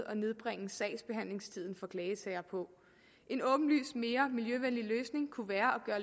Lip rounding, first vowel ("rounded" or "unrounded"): rounded